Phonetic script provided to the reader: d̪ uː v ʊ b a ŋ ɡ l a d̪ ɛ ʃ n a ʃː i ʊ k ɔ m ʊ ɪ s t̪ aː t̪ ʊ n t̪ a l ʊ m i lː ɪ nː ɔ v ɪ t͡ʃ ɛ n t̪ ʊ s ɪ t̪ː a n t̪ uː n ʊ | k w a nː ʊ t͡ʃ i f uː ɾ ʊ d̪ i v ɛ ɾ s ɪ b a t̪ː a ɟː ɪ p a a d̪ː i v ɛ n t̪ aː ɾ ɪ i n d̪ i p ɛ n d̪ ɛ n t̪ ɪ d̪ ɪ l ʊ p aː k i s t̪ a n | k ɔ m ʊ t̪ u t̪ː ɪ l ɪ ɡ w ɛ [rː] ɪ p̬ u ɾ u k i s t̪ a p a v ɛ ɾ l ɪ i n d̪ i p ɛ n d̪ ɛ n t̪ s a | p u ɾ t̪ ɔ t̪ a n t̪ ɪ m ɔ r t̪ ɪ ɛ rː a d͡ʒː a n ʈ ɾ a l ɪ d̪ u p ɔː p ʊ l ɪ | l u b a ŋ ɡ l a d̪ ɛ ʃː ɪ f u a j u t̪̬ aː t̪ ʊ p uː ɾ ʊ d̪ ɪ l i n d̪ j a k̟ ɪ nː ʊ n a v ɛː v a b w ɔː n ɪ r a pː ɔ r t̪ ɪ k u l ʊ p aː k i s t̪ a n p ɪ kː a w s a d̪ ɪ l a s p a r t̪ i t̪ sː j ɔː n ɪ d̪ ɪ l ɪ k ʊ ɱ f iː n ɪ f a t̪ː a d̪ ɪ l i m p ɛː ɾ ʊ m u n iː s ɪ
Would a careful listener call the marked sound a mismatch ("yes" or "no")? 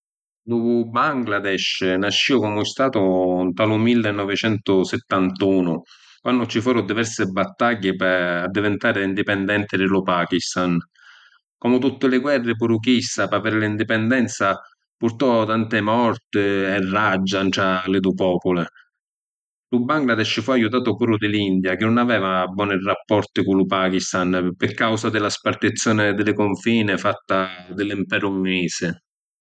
no